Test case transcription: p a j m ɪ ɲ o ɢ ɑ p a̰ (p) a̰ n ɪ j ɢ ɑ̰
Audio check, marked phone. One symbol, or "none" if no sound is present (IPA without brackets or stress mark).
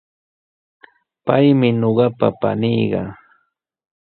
p